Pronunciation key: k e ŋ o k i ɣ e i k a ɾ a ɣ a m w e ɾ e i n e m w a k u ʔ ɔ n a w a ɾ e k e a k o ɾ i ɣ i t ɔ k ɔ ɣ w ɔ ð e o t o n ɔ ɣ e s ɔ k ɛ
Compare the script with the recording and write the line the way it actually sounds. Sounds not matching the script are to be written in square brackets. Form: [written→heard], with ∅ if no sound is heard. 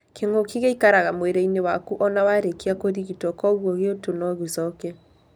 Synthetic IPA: k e ŋ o k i ɣ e i k a ɾ a ɣ a m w e ɾ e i n e [m→∅] w a k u ʔ ɔ n a w a ɾ e k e a k o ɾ i ɣ i t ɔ k ɔ ɣ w ɔ [ð→ɣ] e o t o n ɔ ɣ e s ɔ k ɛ